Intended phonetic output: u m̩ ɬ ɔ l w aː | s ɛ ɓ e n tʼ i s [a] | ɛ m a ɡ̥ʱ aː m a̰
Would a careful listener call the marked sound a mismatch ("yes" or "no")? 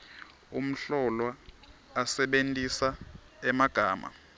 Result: no